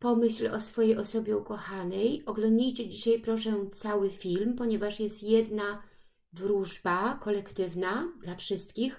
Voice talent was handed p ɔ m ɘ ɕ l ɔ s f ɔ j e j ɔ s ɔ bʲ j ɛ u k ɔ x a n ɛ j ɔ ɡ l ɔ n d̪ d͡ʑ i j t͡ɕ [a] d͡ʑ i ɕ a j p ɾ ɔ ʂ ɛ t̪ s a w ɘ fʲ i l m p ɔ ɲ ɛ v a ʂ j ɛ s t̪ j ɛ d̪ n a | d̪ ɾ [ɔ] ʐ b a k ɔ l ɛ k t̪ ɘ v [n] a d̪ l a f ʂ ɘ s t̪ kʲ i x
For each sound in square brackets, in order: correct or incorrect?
incorrect: ɛ, incorrect: u, correct

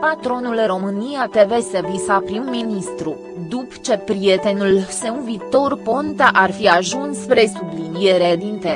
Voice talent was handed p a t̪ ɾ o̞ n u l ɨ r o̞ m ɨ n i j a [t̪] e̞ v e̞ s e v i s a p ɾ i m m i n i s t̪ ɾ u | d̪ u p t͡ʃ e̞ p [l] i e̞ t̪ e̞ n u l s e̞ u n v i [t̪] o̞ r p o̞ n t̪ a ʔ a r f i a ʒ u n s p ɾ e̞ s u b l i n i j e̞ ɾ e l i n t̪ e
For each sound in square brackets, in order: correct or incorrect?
correct, incorrect: ɾ, correct

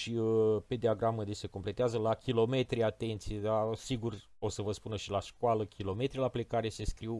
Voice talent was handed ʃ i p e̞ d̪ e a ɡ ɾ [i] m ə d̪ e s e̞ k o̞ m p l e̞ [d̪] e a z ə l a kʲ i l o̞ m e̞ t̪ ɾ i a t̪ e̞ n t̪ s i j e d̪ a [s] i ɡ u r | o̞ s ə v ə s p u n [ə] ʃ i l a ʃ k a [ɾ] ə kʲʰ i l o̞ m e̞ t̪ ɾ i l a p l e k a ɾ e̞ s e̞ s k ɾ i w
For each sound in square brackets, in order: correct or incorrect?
incorrect: a, incorrect: t̪, correct, correct, incorrect: l

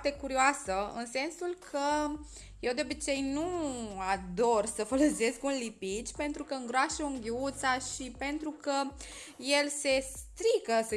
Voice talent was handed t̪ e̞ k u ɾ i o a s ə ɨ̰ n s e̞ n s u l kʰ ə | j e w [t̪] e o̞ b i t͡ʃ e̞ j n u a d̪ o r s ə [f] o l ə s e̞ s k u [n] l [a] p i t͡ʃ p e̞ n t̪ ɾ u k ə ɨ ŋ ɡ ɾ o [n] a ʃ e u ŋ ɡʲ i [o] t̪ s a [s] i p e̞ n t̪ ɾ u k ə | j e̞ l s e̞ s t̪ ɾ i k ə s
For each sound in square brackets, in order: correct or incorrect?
incorrect: d̪, correct, correct, incorrect: i, incorrect: none, incorrect: u, incorrect: ʃ

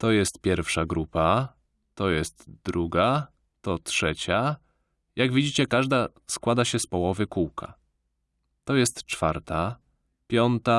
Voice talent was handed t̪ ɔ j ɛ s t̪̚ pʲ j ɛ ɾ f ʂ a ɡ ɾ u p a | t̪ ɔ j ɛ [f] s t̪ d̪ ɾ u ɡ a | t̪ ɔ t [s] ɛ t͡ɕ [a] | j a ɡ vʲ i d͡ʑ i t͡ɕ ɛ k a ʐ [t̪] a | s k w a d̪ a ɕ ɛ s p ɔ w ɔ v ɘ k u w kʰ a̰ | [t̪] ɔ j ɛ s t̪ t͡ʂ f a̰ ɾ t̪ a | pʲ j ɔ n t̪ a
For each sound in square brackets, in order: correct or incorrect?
incorrect: none, incorrect: ʂ, correct, incorrect: d̪, correct

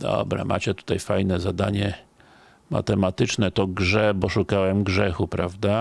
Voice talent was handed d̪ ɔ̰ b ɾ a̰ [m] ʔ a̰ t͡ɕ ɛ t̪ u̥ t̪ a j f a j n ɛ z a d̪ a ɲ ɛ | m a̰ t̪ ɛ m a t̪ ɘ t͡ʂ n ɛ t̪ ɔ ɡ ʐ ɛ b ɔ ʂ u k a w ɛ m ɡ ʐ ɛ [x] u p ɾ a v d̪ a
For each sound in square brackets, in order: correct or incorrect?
correct, correct

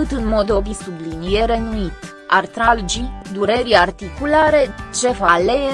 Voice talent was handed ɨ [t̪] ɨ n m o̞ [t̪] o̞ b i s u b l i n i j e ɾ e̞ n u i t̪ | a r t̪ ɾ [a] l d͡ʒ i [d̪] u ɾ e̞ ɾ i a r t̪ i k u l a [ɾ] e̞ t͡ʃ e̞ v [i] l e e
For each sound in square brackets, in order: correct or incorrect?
correct, incorrect: d̪, correct, correct, correct, incorrect: a

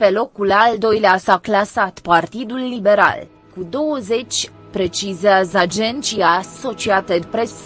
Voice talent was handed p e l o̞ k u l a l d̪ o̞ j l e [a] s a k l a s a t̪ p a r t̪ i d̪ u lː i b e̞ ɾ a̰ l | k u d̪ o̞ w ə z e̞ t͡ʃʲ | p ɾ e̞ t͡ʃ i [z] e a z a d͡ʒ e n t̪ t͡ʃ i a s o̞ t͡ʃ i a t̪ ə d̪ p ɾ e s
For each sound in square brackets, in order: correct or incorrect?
correct, correct

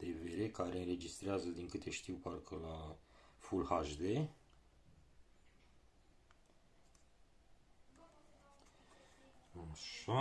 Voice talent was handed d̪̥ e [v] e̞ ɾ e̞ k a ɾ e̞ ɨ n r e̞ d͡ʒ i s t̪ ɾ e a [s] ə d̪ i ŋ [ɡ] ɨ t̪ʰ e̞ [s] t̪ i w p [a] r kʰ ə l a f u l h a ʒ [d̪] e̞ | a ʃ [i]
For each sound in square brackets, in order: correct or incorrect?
correct, incorrect: z, incorrect: k, incorrect: ʃ, correct, correct, incorrect: a

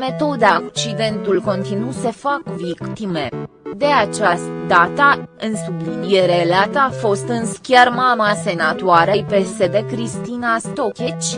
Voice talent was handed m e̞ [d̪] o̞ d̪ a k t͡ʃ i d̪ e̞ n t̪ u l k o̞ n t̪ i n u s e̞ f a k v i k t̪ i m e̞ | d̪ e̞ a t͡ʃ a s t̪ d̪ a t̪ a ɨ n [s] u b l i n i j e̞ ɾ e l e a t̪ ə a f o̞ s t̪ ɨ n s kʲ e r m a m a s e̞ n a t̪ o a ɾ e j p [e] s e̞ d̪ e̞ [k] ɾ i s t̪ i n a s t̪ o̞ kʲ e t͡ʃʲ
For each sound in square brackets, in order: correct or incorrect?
incorrect: t̪, correct, correct, correct

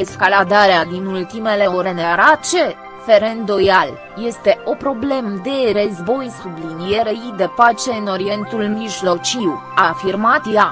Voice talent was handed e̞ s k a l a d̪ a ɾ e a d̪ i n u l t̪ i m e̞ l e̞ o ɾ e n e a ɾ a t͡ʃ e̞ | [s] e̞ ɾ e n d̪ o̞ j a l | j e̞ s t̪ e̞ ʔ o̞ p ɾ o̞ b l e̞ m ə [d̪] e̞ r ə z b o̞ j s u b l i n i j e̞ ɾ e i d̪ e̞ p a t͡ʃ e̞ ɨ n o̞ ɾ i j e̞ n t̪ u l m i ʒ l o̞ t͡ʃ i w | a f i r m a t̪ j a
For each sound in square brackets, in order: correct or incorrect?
incorrect: f, correct

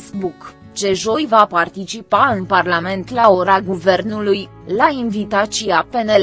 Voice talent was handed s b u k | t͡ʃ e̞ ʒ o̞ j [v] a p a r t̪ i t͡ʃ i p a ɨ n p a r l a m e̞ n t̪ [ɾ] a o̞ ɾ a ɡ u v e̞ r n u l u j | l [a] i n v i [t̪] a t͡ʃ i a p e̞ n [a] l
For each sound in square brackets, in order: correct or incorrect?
correct, incorrect: l, correct, correct, incorrect: e

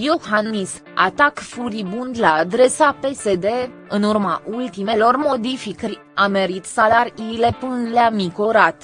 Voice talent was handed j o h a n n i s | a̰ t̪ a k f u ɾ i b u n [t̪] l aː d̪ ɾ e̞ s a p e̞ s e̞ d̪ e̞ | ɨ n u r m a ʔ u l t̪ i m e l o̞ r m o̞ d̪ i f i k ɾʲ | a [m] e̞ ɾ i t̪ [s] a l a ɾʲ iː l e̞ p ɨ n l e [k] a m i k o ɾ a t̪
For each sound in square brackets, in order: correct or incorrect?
incorrect: d̪, correct, correct, incorrect: none

